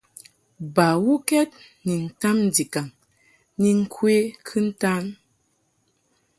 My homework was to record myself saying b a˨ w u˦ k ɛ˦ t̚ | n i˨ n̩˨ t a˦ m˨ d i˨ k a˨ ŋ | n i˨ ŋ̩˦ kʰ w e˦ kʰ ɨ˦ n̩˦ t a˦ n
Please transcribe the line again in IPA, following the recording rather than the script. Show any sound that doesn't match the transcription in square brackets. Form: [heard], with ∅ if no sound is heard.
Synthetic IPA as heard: b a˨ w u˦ k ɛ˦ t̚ | n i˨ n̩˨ t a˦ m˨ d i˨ k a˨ ŋ | n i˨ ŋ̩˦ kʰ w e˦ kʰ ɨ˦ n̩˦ t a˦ n